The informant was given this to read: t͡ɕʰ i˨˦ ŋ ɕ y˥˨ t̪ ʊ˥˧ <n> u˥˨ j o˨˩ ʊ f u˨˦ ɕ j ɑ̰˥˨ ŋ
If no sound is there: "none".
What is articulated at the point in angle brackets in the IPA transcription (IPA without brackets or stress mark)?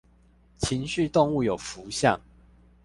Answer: ŋ